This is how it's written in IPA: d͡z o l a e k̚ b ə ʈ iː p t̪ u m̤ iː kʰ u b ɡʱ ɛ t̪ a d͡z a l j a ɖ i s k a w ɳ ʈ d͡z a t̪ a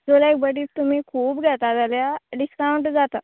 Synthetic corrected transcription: d͡z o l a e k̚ b ə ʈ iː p t̪ u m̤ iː kʰ uː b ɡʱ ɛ t̪ a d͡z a l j a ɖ i s k a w ɳ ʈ d͡z a t̪ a